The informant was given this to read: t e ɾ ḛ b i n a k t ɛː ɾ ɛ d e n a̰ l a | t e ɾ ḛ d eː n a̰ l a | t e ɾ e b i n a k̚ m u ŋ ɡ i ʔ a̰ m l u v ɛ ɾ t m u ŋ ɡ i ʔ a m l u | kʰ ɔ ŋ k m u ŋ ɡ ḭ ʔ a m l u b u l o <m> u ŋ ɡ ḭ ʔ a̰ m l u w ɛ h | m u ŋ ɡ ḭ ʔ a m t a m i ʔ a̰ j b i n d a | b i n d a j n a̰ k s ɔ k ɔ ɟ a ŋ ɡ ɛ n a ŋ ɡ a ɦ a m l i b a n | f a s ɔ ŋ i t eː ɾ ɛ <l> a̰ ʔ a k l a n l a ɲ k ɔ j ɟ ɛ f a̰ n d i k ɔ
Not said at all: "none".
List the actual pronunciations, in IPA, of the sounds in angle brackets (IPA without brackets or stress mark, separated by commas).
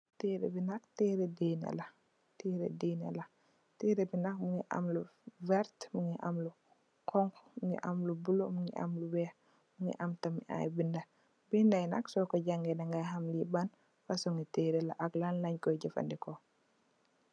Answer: m, l